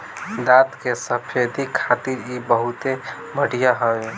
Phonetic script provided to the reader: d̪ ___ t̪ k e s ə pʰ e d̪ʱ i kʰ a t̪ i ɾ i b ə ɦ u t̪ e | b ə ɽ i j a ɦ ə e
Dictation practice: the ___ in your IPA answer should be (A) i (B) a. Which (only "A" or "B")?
B